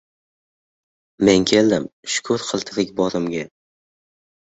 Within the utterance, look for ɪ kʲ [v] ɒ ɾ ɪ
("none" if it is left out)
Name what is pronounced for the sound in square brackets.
b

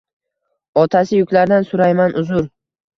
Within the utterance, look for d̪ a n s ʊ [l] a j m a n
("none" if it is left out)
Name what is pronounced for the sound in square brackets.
ɾ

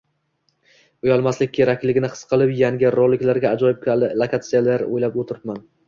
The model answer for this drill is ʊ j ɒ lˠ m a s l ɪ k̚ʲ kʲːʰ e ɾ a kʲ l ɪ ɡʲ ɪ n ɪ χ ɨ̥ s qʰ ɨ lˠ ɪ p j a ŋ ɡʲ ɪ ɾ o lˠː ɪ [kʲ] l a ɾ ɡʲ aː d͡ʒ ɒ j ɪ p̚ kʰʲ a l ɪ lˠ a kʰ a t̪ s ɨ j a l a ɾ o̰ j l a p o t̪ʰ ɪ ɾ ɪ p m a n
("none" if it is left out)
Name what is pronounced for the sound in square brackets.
kʲ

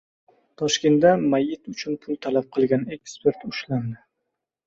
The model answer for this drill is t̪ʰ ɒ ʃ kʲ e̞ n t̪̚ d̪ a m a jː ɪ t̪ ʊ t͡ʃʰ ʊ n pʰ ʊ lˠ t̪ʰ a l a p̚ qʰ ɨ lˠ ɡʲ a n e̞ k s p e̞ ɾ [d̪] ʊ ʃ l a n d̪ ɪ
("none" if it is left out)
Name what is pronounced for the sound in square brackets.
t̪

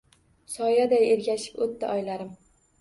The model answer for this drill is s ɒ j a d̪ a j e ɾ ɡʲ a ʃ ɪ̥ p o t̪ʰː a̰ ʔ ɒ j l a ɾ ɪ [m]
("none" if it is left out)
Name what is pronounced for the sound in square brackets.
m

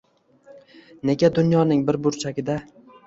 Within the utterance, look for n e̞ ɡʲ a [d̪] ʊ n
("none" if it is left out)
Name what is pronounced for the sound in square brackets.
d̪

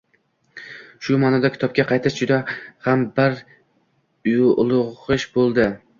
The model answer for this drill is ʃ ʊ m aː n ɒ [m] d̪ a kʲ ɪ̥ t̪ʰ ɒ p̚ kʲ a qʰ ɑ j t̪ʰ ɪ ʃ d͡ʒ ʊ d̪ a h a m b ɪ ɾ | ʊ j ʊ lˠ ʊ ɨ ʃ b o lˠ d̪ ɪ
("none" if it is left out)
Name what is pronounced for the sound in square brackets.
none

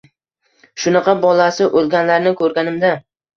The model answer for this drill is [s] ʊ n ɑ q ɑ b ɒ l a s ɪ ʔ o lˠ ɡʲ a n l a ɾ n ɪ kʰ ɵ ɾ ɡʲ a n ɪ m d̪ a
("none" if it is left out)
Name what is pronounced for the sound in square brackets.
ʃ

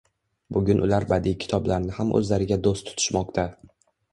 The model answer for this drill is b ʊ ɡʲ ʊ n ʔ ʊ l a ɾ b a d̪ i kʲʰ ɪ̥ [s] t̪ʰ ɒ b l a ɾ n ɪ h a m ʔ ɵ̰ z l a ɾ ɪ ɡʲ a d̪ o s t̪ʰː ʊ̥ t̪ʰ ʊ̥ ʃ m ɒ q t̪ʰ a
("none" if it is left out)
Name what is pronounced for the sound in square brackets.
none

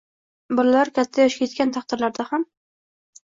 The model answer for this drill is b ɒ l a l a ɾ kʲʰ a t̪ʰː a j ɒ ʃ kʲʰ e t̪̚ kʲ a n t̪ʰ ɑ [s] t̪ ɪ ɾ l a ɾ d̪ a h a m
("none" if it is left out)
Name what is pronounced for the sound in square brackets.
χ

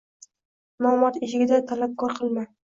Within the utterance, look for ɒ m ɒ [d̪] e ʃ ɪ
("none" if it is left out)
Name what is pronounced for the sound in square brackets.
t̪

